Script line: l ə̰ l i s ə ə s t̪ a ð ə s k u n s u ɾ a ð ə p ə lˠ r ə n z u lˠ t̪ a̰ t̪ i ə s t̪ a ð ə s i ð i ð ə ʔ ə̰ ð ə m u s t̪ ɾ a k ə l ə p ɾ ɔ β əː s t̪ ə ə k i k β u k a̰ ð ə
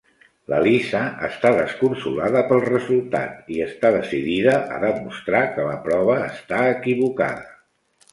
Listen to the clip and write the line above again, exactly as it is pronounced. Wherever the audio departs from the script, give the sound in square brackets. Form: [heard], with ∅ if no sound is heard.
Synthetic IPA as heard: l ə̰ l i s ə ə s t̪ a ð ə s k u n s u [l] a ð ə p ə lˠ r ə [∅] z u lˠ t̪ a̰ t̪ i ə s t̪ a ð ə s i ð i ð ə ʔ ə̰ ð ə m u s t̪ ɾ a k ə l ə p ɾ ɔ β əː s t̪ [a] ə k i [∅] β u k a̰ ð ə